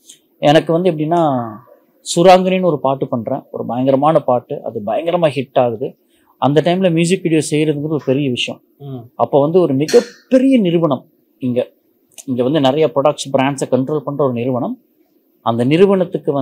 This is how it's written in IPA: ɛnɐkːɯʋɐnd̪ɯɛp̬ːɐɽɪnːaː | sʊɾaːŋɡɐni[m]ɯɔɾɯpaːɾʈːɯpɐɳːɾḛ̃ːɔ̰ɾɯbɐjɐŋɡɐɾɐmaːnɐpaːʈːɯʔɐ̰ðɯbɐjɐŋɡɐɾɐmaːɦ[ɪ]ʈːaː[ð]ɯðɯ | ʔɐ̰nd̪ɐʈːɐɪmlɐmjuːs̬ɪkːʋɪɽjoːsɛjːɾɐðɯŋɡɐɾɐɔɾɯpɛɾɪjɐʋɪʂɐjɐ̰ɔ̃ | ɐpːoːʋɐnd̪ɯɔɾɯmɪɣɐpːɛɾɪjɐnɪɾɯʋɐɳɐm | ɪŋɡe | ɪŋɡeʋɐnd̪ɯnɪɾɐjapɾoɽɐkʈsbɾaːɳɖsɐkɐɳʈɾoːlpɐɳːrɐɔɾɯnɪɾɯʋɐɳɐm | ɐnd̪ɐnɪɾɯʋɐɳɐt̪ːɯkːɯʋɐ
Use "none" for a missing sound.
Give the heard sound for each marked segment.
n, ɪ, ɣ

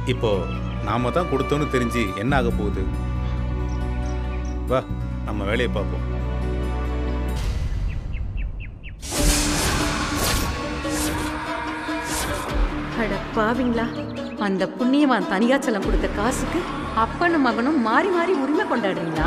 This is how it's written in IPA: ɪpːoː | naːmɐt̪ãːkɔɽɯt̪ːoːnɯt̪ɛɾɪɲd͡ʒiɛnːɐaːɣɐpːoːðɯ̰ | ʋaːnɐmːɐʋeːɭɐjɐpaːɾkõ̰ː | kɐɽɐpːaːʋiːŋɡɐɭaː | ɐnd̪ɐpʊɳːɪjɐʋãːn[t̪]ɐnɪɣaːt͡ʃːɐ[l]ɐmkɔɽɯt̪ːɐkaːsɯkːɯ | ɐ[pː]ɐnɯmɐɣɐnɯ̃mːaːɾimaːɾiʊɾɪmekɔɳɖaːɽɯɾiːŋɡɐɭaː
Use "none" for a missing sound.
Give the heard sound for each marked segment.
t̪, l, pː

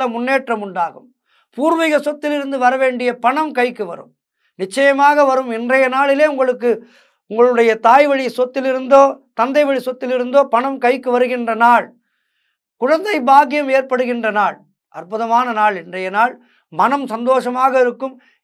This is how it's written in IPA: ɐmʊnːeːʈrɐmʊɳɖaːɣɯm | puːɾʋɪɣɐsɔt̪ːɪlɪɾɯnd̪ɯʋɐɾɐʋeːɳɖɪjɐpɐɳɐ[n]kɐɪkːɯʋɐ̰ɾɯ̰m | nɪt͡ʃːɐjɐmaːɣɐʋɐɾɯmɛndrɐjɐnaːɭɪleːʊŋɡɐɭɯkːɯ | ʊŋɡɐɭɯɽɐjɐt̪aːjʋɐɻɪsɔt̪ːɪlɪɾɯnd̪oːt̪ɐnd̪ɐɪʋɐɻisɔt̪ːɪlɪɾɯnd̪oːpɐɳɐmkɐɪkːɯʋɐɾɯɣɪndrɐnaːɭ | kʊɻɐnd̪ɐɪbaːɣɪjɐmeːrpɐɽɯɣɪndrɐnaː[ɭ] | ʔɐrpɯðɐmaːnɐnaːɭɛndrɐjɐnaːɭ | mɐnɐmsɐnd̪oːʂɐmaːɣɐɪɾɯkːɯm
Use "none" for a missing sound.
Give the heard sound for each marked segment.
m, ɭ

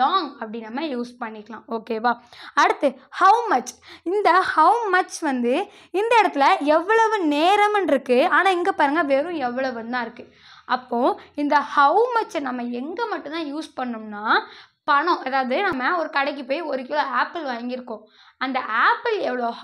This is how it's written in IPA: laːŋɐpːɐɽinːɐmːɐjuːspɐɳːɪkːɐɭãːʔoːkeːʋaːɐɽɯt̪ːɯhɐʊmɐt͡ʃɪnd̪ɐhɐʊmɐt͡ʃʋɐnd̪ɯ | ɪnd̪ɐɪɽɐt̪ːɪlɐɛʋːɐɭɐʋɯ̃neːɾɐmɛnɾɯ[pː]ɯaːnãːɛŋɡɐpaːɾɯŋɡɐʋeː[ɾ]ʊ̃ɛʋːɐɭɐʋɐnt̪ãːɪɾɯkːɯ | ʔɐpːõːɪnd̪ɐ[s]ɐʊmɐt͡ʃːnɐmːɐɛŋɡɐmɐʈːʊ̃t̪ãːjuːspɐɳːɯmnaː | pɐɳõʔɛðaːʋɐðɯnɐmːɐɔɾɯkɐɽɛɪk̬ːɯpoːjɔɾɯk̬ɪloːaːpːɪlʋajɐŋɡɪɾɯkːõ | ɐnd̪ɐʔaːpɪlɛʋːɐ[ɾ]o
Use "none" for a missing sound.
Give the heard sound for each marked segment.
kː, ɾ, h, ɭ

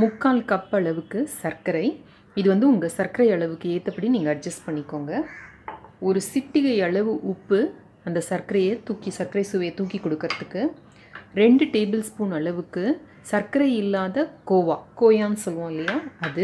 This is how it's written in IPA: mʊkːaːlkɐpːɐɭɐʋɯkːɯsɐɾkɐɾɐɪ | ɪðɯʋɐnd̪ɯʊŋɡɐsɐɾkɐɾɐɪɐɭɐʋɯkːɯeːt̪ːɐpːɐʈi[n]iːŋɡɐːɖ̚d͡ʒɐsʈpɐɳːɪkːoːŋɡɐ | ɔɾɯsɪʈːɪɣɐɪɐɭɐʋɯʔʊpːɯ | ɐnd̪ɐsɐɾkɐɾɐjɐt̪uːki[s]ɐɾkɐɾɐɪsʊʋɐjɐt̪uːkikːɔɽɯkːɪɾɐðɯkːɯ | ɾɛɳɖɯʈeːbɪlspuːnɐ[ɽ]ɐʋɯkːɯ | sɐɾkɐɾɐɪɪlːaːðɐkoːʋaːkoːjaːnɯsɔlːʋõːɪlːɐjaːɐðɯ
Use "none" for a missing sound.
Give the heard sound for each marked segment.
n, s, ɭ

